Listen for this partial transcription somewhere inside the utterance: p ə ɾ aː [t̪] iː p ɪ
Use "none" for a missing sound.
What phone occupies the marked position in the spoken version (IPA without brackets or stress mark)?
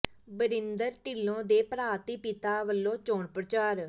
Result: t̪